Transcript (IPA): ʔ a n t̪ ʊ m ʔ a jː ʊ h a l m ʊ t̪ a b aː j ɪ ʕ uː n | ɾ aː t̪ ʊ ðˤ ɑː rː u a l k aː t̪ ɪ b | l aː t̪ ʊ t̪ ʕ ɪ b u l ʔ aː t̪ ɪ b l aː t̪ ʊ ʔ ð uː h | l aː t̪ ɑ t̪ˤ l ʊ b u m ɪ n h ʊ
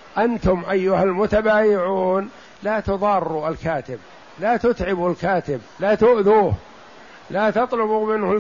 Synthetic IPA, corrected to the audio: ʔ a n t̪ ʊ m ʔ a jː ʊ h a l m ʊ t̪ a b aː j ɪ ʕ uː n | l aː t̪ ʊ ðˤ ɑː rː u a l k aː t̪ ɪ b | l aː t̪ ʊ t̪ ʕ ɪ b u l k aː t̪ ɪ b l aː t̪ ʊ ʔ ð uː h | l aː t̪ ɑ t̪ˤ l ʊ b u m ɪ n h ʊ